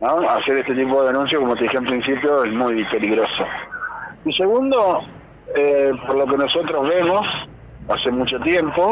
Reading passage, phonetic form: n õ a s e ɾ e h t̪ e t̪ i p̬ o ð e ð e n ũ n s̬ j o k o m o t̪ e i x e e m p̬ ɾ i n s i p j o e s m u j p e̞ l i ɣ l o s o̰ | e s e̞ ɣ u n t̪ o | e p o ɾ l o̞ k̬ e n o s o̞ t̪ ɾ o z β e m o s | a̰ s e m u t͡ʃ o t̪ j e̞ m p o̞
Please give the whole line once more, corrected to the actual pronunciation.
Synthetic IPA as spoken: n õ a s e ɾ e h t̪ e t̪ i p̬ o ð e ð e n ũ n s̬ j o k o m o t̪ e i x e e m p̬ ɾ i n s i p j o e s m u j p e̞ l i ɣ ɾ o s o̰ | i s e̞ ɣ u n d̪ o | e p o ɾ l o̞ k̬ e n o s o̞ t̪ ɾ o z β e m o s | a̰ s e m u t͡ʃ o t̪ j e̞ m p o̞